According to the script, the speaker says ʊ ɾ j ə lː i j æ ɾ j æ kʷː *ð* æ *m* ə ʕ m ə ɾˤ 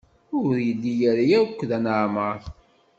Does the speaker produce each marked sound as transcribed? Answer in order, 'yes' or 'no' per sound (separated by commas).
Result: yes, no